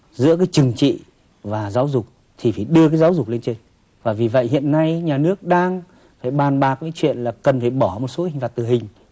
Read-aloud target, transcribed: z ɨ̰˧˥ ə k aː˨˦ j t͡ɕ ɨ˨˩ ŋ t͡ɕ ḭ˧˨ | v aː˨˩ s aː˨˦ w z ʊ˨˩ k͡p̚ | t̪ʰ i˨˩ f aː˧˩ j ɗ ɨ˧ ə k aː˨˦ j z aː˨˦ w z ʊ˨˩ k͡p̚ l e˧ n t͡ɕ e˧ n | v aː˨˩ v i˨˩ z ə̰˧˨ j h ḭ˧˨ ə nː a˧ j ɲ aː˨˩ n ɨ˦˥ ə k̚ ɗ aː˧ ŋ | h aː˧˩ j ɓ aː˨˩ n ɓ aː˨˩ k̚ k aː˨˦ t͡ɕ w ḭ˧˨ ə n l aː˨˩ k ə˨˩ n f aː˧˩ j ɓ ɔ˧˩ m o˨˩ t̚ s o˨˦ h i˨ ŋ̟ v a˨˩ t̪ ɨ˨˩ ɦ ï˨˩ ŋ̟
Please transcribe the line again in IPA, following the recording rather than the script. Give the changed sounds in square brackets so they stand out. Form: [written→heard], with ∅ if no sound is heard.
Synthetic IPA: z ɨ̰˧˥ ə k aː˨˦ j t͡ɕ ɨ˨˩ ŋ t͡ɕ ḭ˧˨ | v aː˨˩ [s→z] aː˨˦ w z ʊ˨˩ k͡p̚ | t̪ʰ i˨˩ f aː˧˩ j ɗ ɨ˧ ə k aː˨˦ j z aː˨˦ w z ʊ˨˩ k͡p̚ l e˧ n t͡ɕ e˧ n | v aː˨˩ v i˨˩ [z→v] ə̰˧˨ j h ḭ˧˨ ə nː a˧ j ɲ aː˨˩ n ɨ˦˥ ə k̚ ɗ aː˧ ŋ | [h→f] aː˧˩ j ɓ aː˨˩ n ɓ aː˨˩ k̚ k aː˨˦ t͡ɕ w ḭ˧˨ ə n l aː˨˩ k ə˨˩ n f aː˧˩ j ɓ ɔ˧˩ m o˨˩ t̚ s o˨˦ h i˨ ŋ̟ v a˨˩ t̪ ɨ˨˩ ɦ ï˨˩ ŋ̟

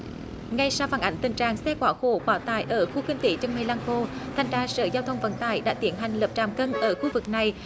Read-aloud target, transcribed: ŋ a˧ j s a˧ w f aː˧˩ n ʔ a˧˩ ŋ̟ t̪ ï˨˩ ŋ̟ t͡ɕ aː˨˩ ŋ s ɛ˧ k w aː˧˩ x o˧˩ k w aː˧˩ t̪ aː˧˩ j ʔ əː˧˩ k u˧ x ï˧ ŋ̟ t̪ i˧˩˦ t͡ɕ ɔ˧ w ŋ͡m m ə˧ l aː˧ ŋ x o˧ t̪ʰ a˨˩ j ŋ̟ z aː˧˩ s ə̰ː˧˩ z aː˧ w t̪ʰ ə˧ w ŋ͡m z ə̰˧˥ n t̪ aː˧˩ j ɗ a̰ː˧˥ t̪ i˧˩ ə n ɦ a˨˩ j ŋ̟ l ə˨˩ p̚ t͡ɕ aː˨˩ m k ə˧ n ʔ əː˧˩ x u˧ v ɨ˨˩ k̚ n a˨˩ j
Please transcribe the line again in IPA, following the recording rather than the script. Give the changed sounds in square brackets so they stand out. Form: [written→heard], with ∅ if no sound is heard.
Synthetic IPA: ŋ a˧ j s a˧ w f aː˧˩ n ʔ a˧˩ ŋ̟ t̪ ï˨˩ ŋ̟ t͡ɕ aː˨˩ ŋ s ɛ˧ k w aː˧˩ x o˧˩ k w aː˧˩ t̪ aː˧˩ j ʔ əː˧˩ [k→x] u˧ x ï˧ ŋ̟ t̪ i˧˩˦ t͡ɕ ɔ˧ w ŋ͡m m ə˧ l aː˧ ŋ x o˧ t̪ʰ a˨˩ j ŋ̟ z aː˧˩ s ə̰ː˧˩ z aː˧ w t̪ʰ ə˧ w ŋ͡m [z→v] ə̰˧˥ n t̪ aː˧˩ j ɗ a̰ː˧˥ t̪ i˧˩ ə n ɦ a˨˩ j ŋ̟ l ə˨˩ p̚ t͡ɕ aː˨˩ m k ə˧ n ʔ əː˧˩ x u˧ v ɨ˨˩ k̚ n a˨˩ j

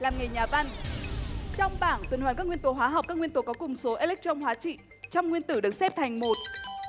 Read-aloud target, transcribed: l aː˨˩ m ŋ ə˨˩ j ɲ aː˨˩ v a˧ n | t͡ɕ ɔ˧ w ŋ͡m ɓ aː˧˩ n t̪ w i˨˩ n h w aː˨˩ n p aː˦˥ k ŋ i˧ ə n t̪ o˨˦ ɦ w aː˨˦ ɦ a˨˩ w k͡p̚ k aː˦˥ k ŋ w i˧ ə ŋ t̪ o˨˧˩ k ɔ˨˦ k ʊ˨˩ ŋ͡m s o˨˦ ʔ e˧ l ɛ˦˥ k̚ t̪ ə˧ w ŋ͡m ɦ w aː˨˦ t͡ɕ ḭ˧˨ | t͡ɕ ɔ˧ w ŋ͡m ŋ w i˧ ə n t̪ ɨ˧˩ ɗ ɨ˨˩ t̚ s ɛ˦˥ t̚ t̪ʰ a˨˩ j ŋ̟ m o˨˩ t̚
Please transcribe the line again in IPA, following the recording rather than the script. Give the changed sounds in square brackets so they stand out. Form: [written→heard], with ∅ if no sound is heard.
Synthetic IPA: l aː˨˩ m ŋ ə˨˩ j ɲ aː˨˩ v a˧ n | t͡ɕ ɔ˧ w ŋ͡m ɓ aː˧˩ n t̪ w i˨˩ n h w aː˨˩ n [p→k] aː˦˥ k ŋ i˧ ə n t̪ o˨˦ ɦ w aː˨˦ ɦ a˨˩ w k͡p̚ k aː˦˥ k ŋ w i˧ ə [ŋ→n] t̪ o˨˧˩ k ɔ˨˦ k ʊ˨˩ ŋ͡m s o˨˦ ʔ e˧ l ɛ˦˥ k̚ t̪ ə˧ w ŋ͡m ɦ w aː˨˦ t͡ɕ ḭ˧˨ | t͡ɕ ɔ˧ w ŋ͡m ŋ w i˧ ə n t̪ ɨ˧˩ ɗ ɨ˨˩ [t̚→k̚] s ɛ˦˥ [t̚→p̚] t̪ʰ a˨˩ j ŋ̟ m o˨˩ t̚

